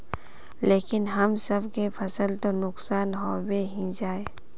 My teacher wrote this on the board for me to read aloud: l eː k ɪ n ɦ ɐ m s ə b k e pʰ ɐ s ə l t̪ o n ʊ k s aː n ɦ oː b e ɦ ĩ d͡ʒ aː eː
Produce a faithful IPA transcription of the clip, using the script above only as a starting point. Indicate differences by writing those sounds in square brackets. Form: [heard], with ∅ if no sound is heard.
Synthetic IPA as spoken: l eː k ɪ n ɦ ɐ m s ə b k e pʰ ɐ s ə l t̪ o n ʊ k s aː n ɦ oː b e ɦ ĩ d͡ʒ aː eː